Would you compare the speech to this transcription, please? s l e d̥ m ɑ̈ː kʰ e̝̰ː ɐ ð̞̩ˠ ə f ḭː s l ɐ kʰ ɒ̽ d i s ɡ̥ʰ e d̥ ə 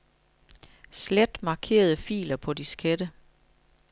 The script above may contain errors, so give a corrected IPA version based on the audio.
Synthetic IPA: s l e d̥ m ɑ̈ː kʰ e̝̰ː ɐ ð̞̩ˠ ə f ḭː l ɐ pʰ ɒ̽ d i s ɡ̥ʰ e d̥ ə

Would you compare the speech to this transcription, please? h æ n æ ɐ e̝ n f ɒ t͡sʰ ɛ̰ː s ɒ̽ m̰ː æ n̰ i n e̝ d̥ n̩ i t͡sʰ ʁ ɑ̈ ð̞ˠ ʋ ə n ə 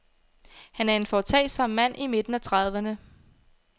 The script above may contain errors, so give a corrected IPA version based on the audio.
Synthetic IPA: h æ n æ ɐ e̝ n f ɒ t͡sʰ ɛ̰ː s ɒ̽ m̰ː æ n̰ i m e̝ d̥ n̩ æ t͡sʰ ʁ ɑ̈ ð̞ˠ ʋ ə n ə

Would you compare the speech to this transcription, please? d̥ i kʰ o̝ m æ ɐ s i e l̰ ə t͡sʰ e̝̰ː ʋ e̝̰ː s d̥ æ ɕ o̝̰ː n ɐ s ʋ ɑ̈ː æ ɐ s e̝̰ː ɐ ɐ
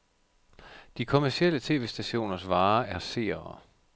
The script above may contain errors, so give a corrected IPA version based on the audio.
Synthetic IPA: d̥ i kʰ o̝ m æ ɐ s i e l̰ ə t͡sʰ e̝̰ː ʋ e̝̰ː s d̥ æ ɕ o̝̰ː n ɐ s ʋ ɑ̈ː æ ɐ s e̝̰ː ɐ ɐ

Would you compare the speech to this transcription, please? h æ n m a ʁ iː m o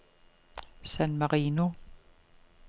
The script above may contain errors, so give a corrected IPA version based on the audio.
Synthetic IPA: s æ n m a ʁ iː n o

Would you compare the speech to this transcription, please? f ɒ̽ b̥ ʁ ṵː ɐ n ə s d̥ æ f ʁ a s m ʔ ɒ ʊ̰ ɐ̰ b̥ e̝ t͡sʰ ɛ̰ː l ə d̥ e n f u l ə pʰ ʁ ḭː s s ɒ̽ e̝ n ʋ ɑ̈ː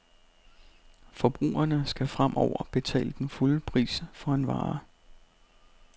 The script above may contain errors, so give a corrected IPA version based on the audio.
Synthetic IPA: f ɒ̽ b̥ ʁ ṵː ɐ n ə s ɡ̥ æ f ʁ a m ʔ ɒ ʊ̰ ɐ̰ b̥ e̝ t͡sʰ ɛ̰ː l ə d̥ e n f u l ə pʰ ʁ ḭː s f ɒ̽ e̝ n ʋ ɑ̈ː

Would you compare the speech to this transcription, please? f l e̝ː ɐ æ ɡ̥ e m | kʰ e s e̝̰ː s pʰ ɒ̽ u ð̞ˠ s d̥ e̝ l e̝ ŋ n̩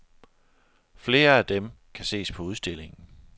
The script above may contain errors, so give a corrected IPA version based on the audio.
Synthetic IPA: f l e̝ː ɐ æ d̥ e m | kʰ æ s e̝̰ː s pʰ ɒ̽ u ð̞ˠ s d̥ e̝ l e̝ ŋ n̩

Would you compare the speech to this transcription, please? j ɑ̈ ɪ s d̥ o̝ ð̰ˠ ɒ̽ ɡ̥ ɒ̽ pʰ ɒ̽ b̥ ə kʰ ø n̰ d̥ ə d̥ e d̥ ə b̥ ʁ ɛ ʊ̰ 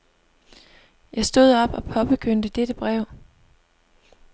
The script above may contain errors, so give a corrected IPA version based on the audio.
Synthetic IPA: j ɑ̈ ɪ s d̥ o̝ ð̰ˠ ɒ̽ b̥ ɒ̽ pʰ ɒ̽ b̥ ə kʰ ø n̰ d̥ ə d̥ e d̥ ə b̥ ʁ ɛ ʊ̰

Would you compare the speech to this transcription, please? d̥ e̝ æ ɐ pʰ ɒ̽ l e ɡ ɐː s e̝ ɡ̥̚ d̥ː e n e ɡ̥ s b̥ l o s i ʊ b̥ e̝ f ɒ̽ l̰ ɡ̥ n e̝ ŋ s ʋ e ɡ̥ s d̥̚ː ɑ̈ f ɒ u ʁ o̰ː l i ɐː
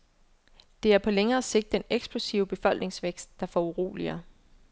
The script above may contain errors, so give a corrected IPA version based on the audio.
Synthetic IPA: d̥ e̝ æ ɐ pʰ ɒ̽ l e ŋ ɐː s e̝ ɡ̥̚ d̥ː e n e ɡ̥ s b̥ l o s i ʊ b̥ e̝ f ɒ̽ l̰ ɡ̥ n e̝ ŋ s ʋ e ɡ̥ s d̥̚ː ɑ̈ f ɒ u ʁ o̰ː l i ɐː

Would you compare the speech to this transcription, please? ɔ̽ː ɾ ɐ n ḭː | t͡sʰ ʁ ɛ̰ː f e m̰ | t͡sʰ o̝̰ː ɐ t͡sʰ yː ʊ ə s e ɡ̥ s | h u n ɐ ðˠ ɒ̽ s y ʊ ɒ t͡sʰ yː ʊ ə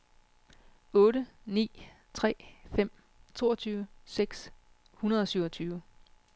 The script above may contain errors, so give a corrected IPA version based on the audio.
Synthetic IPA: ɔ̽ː ɾ ə n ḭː | t͡sʰ ʁ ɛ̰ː f e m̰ | t͡sʰ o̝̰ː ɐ t͡sʰ yː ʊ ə s e ɡ̥ s | h u n ɐ ðˠ ɒ̽ s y ʊ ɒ t͡sʰ yː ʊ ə

